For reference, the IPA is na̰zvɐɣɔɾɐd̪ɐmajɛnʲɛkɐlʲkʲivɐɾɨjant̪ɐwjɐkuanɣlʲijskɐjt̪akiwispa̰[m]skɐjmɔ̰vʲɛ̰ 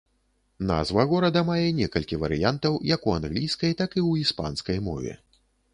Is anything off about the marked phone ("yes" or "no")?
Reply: yes